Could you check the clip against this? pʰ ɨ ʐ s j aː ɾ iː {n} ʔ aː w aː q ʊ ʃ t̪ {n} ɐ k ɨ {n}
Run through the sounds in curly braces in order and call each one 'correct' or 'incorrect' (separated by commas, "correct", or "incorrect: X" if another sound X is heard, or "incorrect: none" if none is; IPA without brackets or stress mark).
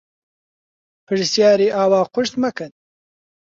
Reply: incorrect: none, incorrect: m, correct